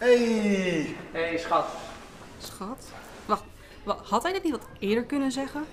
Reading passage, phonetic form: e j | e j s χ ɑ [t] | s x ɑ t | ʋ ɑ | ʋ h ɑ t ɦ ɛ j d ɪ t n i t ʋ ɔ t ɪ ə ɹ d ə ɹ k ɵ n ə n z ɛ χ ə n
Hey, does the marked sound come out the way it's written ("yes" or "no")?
yes